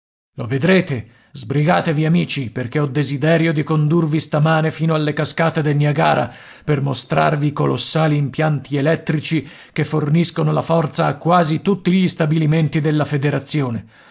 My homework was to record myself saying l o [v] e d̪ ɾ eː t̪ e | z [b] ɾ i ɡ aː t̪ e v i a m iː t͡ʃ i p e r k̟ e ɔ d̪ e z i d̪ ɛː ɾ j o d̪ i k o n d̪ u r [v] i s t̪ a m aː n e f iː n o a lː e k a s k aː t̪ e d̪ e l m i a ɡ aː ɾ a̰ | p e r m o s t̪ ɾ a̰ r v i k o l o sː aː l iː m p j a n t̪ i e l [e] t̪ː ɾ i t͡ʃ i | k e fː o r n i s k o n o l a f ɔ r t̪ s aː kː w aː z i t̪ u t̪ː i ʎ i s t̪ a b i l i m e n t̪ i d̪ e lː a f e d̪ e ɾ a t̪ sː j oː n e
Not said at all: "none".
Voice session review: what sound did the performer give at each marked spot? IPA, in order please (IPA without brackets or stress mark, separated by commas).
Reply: v, b, v, ɛ